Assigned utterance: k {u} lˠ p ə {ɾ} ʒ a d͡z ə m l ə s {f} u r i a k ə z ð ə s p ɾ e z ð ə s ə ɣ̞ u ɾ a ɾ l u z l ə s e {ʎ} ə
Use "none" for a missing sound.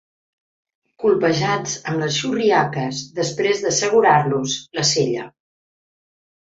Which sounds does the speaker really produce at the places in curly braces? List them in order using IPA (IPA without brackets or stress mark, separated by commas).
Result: u, none, ʃ, ʎ